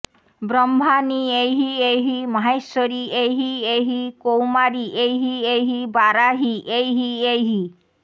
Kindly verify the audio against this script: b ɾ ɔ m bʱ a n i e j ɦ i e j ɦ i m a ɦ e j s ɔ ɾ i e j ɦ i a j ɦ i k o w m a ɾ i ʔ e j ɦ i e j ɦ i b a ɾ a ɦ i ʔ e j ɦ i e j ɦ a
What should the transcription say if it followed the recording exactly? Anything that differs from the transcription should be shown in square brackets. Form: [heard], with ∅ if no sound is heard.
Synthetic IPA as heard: b ɾ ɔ m bʱ a n i e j ɦ i e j ɦ i m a ɦ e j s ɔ ɾ i e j ɦ i [e] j ɦ i k o w m a ɾ i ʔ e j ɦ i e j ɦ i b a ɾ a ɦ i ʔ e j ɦ i e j ɦ [i]

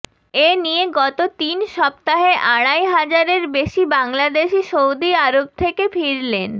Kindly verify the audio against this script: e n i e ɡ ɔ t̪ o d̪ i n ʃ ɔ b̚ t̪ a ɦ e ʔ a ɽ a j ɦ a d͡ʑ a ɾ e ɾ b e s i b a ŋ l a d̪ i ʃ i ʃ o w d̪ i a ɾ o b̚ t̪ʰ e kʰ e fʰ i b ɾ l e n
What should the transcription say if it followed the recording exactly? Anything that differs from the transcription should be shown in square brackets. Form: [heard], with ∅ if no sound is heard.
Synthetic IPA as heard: e n i e ɡ ɔ t̪ o [t̪] i n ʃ ɔ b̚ t̪ a ɦ e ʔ a ɽ a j ɦ a d͡ʑ a ɾ e ɾ b e [ʃ] i b a ŋ l a d̪ [e] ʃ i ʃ o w d̪ i a ɾ o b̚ t̪ʰ e [k] e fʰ i [∅] ɾ l e n

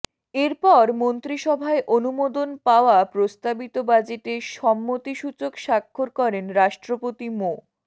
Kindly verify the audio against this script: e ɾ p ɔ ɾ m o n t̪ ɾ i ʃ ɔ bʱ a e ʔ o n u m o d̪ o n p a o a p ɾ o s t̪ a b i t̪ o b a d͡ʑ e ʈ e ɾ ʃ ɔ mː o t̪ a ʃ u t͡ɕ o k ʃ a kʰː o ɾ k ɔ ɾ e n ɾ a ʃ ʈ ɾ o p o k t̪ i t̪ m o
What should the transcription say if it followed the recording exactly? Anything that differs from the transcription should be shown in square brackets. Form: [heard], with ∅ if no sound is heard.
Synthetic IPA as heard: e ɾ p ɔ ɾ m o n t̪ ɾ i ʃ ɔ bʱ a e ʔ o n u m o d̪ o n p a o a p ɾ o s t̪ a b i t̪ o b a d͡ʑ e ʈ e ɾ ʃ ɔ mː o t̪ [i] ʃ u t͡ɕ o k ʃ a kʰː o ɾ k ɔ ɾ e n ɾ a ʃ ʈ ɾ o p o [∅] t̪ i [∅] m o

